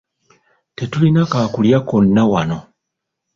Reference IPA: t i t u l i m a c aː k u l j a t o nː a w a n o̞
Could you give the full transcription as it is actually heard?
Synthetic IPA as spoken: t e t u l i n a k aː k u l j a k o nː a w a n o̞

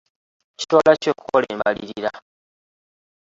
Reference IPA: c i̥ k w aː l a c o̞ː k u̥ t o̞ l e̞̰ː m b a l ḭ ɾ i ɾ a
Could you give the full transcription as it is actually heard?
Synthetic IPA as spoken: c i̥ t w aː l a c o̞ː k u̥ k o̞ l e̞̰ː m b a l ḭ ɾ i ɾ a

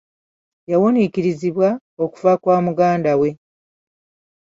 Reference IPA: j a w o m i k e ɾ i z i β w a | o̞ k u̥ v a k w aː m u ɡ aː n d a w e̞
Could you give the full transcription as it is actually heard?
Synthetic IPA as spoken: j a w o n i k i ɾ i z i β w a | o̞ k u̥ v a k w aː m u ɡ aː n d a w e̞

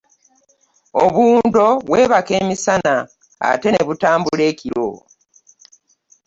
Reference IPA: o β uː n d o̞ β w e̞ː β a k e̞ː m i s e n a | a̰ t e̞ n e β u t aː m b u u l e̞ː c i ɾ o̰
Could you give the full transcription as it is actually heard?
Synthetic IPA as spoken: o β uː n d o̞ β w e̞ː β a k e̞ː m i s a n a | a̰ t e̞ n e β u t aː m b u u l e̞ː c i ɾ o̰

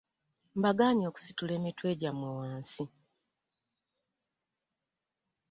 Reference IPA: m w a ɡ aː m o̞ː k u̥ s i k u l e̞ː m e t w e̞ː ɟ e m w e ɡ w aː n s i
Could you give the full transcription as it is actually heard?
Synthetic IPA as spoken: m b a ɡ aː ɲ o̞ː k u̥ s i t u l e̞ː m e t w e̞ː ɟ a m w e w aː n s i

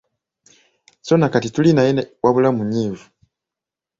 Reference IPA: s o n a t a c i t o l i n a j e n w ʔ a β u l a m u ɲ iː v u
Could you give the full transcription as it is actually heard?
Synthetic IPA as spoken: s o n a k a t i t u l i n a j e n w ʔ a β u l a m u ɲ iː v u

